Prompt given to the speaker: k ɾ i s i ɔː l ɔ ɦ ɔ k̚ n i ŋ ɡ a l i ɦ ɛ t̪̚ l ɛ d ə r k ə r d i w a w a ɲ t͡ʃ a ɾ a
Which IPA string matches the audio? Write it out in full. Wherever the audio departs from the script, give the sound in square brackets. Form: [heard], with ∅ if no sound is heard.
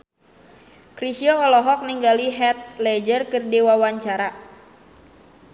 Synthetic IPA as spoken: k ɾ i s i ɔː l ɔ ɦ ɔ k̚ n i ŋ ɡ a l i ɦ ɛ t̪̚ l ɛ [d͡ʒ] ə r k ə r d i w a w a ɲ t͡ʃ a ɾ a